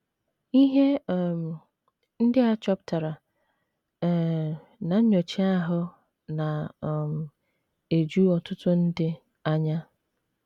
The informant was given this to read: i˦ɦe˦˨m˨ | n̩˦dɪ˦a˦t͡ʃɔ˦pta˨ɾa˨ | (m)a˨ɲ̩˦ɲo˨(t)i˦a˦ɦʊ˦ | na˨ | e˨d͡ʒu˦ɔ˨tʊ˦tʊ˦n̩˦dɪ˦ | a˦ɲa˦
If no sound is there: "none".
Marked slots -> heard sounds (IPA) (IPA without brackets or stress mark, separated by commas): n, t͡ʃ